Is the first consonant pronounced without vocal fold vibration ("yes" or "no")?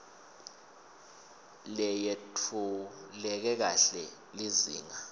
no